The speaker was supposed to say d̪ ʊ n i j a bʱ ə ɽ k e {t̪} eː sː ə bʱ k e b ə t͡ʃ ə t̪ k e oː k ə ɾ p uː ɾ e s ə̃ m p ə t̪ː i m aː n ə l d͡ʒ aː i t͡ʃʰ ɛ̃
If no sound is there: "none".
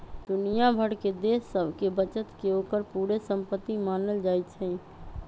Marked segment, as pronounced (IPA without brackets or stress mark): d̪